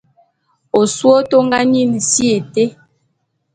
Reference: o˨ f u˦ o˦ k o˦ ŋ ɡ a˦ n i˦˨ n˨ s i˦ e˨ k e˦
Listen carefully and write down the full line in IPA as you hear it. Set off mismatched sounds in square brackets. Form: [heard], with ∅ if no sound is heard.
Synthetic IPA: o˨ [s] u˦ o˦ [t] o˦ ŋ ɡ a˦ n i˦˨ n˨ s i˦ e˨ [t] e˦